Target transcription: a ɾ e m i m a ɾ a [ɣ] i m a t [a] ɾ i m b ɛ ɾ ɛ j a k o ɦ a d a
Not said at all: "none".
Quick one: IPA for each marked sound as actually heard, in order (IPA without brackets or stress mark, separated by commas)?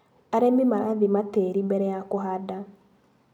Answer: ð, e